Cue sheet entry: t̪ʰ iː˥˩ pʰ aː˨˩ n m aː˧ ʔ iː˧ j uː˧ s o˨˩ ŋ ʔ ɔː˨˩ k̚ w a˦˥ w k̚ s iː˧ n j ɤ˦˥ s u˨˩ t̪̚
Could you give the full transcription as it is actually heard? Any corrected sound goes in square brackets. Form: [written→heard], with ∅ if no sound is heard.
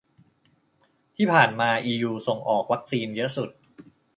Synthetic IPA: t̪ʰ iː˥˩ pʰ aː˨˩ n m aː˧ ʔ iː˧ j uː˧ s o˨˩ ŋ ʔ ɔː˨˩ k̚ w a˦˥ [w→∅] k̚ s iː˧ n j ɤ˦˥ s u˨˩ t̪̚

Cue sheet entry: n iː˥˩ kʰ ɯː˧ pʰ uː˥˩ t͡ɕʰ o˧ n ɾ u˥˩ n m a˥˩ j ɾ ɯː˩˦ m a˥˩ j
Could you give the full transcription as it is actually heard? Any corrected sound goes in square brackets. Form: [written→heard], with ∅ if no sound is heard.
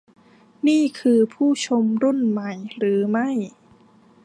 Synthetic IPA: n iː˥˩ kʰ ɯː˧ pʰ uː˥˩ t͡ɕʰ o˧ [n→m] ɾ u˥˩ n m [a˥˩→a˨˩˦] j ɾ ɯː˩˦ m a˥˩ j

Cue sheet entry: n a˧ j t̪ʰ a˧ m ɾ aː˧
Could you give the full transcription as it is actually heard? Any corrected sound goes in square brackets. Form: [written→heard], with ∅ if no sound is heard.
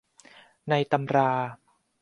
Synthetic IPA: n a˧ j [t̪ʰ→t̪] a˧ m ɾ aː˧

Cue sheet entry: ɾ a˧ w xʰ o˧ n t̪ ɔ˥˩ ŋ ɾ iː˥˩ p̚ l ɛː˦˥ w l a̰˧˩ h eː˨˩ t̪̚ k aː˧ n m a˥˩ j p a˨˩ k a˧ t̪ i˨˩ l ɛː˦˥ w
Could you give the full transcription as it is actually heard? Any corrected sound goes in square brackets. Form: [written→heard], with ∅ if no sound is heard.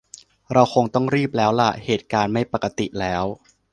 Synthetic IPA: ɾ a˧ w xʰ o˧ [n→ŋ] t̪ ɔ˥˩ ŋ ɾ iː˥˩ p̚ l ɛː˦˥ w l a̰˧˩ h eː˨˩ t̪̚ k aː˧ n m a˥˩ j p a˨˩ k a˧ t̪ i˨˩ l ɛː˦˥ w

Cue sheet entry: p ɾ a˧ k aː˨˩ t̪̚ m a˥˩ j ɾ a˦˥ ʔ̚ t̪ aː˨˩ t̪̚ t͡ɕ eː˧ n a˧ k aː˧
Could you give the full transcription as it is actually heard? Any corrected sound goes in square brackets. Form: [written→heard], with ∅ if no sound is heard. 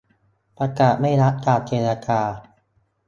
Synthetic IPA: p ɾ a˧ k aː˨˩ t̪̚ m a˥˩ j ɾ a˦˥ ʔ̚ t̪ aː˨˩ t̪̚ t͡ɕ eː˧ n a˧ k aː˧

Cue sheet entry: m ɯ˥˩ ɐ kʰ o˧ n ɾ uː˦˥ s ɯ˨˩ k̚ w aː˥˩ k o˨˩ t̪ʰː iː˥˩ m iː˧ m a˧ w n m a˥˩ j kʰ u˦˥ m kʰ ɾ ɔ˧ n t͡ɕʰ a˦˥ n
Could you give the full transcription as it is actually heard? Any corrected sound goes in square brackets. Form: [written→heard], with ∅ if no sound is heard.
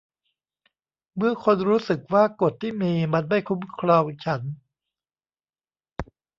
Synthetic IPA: m ɯ˥˩ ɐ kʰ o˧ n ɾ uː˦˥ s ɯ˨˩ k̚ w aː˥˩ k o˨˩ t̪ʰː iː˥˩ m iː˧ m a˧ [w→∅] n m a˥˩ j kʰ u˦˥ m kʰ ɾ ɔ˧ [n→ŋ] t͡ɕʰ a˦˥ n

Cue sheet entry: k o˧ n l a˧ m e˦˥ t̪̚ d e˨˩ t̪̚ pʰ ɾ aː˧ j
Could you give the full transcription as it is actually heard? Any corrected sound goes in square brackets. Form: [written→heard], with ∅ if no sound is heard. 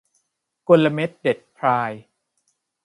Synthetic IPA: k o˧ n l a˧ m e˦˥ t̪̚ d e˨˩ t̪̚ pʰ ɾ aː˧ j

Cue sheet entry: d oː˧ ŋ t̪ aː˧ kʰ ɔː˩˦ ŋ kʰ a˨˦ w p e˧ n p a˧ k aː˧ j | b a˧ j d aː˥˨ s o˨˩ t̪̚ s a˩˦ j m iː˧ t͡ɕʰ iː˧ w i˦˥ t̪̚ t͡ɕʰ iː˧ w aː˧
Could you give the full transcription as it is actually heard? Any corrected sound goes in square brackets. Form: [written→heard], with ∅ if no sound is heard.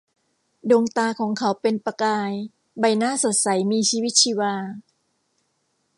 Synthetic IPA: d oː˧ ŋ t̪ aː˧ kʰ ɔː˩˦ ŋ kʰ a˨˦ w p e˧ n p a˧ k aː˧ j | b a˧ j [d→n] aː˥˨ s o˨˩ t̪̚ s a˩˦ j m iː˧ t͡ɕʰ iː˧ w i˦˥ t̪̚ t͡ɕʰ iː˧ w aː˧

